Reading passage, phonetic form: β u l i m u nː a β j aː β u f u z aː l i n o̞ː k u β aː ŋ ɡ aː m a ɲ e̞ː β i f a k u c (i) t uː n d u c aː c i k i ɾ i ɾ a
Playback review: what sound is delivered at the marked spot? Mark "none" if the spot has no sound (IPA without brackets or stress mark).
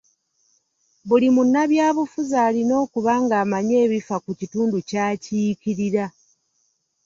i